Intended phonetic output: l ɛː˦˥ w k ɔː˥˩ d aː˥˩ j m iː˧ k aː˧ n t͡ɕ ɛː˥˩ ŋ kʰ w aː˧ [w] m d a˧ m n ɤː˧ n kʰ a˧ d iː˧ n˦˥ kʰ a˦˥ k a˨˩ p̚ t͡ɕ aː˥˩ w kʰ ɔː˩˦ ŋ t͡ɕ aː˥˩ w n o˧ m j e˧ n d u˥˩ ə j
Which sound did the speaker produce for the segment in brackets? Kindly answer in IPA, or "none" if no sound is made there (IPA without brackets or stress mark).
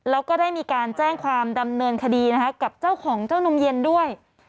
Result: none